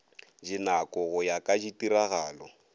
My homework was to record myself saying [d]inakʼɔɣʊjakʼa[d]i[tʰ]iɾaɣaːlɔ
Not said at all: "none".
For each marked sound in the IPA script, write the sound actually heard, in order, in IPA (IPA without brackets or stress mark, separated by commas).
d͡ʒ, d͡ʒ, t